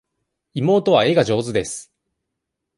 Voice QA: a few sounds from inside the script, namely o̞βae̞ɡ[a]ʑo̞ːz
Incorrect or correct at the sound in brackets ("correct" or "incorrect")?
correct